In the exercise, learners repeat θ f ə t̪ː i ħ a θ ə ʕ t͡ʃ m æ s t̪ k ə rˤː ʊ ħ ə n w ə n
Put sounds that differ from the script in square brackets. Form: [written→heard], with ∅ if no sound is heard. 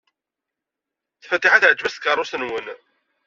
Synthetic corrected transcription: θ f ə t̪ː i ħ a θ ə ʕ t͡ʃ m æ s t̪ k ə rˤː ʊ [ħ→s] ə n w ə n